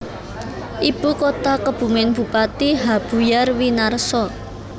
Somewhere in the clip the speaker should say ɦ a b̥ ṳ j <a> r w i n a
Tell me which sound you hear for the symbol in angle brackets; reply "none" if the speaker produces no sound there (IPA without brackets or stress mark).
a